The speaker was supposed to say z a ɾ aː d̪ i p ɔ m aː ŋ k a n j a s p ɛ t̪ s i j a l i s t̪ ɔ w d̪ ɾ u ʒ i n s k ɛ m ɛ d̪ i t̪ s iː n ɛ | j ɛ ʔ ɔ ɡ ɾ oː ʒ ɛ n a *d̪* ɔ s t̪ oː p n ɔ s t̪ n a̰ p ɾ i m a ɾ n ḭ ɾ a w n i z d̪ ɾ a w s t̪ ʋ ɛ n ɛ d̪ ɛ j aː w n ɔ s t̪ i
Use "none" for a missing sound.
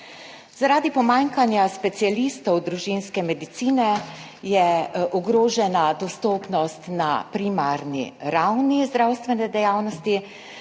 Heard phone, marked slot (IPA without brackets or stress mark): d̪